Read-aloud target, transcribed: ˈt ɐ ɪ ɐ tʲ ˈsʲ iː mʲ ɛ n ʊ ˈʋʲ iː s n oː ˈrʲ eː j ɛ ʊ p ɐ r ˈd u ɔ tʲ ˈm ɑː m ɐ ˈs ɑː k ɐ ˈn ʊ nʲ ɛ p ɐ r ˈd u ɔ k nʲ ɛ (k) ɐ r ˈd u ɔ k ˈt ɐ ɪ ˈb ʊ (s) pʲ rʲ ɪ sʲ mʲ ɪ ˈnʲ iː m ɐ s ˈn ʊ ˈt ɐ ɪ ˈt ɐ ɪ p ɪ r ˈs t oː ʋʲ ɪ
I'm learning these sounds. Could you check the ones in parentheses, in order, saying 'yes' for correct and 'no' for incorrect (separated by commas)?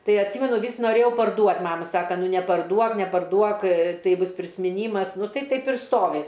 no, yes